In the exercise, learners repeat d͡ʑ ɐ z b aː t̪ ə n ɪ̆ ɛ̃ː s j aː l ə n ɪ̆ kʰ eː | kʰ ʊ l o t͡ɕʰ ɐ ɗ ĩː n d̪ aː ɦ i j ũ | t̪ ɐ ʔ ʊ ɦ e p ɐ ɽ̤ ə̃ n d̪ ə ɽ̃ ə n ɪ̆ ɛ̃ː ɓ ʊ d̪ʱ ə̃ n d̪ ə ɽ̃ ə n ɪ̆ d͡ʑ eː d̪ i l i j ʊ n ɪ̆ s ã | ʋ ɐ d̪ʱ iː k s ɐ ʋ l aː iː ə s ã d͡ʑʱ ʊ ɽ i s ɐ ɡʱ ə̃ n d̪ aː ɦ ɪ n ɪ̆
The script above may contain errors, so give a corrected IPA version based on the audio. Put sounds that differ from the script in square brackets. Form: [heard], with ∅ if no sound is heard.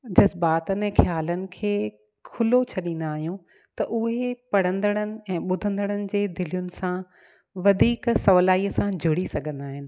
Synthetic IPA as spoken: d͡ʑ ɐ z b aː t̪ ə n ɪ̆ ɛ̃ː [x] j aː l ə n ɪ̆ kʰ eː | kʰ ʊ l o t͡ɕʰ ɐ ɗ ĩː n d̪ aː ɦ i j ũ | t̪ ɐ ʔ ʊ ɦ e p ɐ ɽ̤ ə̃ n d̪ ə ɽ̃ ə n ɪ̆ ɛ̃ː ɓ ʊ d̪ʱ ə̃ n d̪ ə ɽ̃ ə n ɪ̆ d͡ʑ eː d̪ [ɪ] l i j ʊ n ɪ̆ s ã | ʋ ɐ d̪ʱ iː k s ɐ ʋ l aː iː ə s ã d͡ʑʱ ʊ ɽ i s ɐ ɡʱ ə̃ n d̪ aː ɦ ɪ n ɪ̆